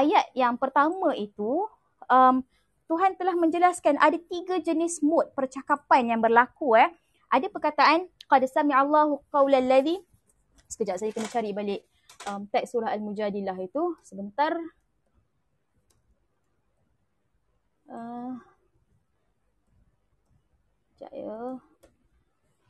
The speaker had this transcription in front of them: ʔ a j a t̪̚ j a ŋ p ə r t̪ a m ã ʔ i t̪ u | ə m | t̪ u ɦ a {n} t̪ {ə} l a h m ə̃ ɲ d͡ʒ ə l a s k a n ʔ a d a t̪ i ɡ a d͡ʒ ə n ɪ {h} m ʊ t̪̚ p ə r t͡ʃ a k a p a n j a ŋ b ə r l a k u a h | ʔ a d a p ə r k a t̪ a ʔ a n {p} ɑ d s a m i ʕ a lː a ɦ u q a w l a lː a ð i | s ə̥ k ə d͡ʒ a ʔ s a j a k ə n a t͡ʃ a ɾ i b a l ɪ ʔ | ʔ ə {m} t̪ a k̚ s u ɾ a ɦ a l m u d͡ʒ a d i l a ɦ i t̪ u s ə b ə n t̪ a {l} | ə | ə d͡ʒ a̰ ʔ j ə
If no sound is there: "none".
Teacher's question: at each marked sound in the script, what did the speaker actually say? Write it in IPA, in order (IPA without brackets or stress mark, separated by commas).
n, ə, s, q, m, r